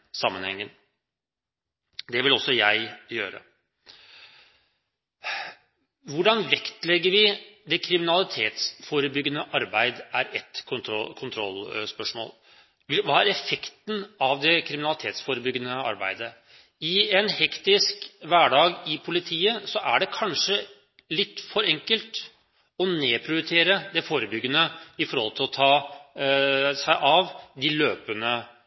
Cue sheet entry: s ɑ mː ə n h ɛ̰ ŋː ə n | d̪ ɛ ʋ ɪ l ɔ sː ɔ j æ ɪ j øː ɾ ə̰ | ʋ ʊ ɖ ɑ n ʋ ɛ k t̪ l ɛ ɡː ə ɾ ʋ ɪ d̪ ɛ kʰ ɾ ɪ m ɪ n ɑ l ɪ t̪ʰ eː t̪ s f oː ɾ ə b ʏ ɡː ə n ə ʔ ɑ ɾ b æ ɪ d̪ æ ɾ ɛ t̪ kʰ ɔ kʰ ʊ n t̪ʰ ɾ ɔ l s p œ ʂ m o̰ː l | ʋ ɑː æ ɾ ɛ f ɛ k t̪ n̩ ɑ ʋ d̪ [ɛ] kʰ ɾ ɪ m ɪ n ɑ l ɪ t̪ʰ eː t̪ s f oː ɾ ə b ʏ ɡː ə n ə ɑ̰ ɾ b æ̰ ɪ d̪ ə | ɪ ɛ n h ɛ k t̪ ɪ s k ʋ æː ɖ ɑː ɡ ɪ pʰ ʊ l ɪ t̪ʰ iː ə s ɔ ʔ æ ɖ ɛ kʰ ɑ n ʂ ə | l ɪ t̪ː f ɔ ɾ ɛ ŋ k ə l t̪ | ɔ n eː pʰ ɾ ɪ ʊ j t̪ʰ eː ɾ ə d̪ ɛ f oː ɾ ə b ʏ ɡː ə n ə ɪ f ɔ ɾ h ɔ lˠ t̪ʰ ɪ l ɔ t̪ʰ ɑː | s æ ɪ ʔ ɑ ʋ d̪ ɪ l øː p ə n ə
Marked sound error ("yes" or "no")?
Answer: no